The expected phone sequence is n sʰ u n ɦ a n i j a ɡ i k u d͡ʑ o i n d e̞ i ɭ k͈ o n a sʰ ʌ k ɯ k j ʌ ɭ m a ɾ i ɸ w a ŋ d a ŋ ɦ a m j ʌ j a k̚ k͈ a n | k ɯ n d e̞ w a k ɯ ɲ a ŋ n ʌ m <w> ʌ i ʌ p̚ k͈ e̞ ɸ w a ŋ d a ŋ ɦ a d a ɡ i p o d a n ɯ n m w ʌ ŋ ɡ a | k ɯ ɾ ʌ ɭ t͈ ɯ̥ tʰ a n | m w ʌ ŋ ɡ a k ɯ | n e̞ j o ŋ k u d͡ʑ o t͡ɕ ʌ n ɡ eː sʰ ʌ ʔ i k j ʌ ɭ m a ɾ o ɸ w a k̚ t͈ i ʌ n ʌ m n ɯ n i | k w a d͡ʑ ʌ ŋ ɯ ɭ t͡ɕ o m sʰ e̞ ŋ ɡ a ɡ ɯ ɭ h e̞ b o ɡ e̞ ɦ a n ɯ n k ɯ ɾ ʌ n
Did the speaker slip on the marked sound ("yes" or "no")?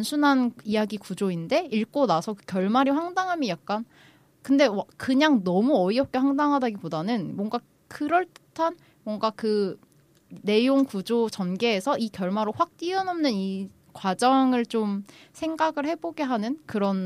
yes